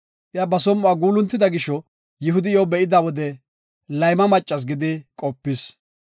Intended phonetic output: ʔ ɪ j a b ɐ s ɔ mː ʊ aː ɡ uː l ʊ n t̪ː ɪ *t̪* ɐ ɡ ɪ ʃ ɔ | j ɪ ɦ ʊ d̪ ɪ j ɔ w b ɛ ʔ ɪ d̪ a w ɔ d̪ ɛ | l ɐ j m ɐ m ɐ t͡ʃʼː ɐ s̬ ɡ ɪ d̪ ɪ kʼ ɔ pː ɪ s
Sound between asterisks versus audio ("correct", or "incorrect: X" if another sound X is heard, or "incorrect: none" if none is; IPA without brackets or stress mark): incorrect: d̪